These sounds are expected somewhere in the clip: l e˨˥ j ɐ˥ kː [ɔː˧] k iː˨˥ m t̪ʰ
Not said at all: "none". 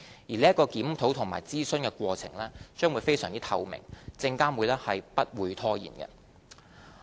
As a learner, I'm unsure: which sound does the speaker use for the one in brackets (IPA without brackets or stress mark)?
ɔː˧